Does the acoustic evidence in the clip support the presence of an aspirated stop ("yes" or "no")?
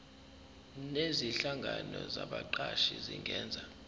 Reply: no